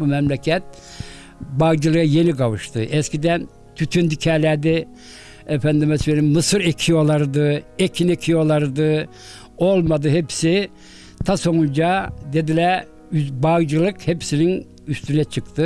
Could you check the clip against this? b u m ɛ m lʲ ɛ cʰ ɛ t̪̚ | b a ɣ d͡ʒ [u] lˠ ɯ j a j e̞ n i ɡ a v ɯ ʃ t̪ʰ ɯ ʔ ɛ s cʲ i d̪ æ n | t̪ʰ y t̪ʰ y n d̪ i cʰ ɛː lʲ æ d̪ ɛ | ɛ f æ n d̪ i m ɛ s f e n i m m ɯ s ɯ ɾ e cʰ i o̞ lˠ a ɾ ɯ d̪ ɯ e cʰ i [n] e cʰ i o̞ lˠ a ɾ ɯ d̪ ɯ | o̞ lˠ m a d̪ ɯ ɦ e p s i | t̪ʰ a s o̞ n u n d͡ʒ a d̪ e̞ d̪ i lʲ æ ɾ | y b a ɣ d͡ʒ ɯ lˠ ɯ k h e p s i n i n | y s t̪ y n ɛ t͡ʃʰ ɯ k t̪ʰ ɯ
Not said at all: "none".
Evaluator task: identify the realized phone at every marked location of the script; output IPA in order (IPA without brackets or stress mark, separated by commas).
ɯ, n